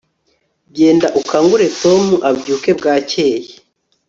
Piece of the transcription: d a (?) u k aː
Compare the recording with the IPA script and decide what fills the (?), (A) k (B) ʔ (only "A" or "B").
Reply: B